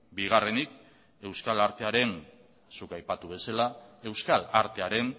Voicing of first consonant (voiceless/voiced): voiced